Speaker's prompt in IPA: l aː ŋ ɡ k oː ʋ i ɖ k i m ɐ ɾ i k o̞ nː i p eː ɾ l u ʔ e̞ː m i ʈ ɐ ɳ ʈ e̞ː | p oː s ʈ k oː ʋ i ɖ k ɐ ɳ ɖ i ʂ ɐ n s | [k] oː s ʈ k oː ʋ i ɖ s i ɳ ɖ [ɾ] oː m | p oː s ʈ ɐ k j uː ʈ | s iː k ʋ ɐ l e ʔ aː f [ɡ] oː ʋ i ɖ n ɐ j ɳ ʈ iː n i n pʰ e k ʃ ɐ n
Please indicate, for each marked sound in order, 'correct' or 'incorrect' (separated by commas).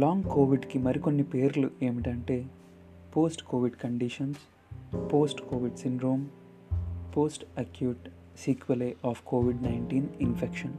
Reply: incorrect, correct, incorrect